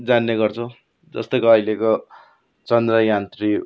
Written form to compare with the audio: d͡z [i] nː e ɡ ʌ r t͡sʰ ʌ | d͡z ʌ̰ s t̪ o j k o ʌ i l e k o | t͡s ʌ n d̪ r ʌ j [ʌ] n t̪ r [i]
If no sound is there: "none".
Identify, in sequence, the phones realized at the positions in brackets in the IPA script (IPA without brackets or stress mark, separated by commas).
a, a, i